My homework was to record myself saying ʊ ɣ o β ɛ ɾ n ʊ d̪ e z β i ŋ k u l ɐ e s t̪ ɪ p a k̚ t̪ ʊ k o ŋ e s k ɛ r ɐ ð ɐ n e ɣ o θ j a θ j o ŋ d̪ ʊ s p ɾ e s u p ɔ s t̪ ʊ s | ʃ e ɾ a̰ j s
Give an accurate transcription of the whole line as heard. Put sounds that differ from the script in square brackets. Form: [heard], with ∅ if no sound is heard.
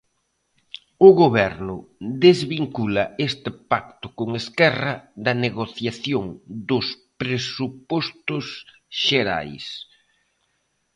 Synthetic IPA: ʊ ɣ o β ɛ ɾ n ʊ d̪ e z β i ŋ k u l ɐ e s t̪ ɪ p a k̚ t̪ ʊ k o ŋ e s k ɛ r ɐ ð ɐ n e ɣ o θ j a θ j o ŋ d̪ ʊ s p ɾ e s u p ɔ s t̪ ʊ s | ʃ e ɾ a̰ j s